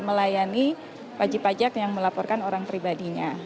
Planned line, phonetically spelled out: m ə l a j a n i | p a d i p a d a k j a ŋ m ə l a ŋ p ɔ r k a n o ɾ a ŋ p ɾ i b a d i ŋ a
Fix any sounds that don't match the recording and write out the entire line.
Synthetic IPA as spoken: m ə l a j a n i | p a d͡ʒ i p a d͡ʒ a k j a ŋ m ə l a p ɔ r k a n o ɾ a ŋ p ɾ i b a d i ɲ a